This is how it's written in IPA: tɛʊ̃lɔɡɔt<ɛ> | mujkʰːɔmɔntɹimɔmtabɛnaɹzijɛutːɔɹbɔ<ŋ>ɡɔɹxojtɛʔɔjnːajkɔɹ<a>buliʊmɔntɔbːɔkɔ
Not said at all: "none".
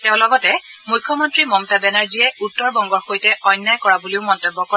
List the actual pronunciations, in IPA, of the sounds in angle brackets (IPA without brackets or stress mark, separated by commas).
ɛ, ŋ, a